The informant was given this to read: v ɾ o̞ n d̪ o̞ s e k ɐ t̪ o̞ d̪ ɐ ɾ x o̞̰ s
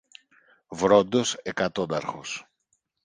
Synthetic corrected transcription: v ɾ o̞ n d̪ o̞ s e k ɐ t̪ o̞ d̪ ɐ ɾ x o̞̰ s

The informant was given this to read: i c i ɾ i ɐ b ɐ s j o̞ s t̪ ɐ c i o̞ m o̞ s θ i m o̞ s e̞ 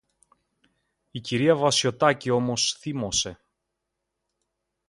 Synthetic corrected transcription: i c i ɾ i ɐ v ɐ s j o̞ t̪ ɐ c i o̞ m o̞ s θ i m o̞ s e̞

